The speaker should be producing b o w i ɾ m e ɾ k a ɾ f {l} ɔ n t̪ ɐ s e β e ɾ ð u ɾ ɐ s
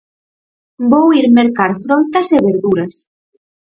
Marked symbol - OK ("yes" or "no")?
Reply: no